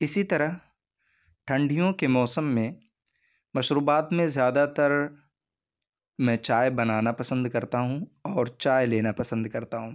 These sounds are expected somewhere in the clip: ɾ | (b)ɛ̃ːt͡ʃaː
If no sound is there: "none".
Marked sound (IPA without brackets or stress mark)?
m